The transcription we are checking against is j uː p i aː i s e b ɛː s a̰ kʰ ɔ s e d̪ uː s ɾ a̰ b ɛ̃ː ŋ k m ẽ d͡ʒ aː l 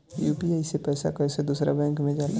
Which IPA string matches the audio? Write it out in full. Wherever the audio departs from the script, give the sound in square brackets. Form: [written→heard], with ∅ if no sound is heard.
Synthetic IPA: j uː p i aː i s e [b→p] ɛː s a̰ [kʰ→k] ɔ s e d̪ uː s ɾ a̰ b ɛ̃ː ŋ k m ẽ d͡ʒ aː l